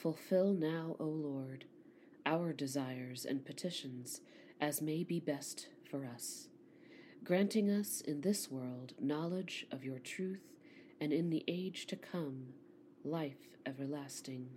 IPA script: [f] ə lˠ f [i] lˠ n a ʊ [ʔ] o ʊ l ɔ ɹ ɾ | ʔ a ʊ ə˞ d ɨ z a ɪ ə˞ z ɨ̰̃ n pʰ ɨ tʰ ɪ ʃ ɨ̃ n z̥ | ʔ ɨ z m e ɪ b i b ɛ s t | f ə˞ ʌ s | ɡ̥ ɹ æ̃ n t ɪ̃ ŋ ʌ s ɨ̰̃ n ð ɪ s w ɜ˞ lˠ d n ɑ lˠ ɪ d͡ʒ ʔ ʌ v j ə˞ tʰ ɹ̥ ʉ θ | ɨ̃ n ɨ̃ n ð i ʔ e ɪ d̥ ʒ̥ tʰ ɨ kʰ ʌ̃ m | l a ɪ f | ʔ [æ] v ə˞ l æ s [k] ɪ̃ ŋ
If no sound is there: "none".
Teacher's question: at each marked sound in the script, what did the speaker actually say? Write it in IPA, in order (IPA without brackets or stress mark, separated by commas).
f, ɪ, ʔ, ɛ, t